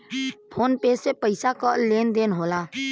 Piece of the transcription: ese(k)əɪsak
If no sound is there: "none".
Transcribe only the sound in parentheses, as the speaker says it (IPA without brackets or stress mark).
p